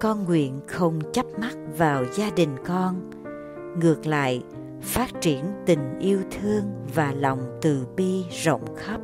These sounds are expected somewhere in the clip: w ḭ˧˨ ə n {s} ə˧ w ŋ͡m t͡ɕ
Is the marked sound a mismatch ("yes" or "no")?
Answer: yes